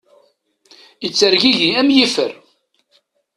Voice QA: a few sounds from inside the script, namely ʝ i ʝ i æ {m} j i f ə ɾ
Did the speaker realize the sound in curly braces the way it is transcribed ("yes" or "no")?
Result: yes